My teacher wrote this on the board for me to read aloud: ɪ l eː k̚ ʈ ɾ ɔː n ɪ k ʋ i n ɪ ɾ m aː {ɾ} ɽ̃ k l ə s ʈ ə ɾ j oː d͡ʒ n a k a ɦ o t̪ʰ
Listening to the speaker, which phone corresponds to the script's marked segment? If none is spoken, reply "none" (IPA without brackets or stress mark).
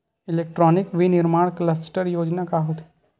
none